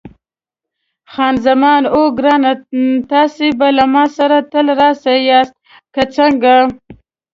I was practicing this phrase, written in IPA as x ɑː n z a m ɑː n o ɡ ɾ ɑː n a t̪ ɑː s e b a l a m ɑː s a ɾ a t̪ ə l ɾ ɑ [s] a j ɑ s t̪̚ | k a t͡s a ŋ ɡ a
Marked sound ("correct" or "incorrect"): correct